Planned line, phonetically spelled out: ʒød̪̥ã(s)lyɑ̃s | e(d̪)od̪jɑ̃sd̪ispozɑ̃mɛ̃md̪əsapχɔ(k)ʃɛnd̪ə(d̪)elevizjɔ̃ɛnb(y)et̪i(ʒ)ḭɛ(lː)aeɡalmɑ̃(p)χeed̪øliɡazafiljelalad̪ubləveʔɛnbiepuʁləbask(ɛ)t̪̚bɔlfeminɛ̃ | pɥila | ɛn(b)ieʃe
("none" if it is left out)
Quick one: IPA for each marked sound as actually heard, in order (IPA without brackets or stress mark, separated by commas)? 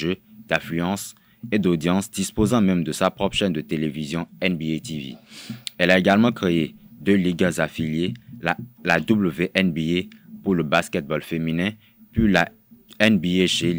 f, d̪, p, t̪, i, v, l, k, ɛ, b